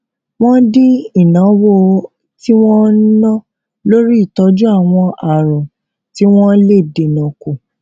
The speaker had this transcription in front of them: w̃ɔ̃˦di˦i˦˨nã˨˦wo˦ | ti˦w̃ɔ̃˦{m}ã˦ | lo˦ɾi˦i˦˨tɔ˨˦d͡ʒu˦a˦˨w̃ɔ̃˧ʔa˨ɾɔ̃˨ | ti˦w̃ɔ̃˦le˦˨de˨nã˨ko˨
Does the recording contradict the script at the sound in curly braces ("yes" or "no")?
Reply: yes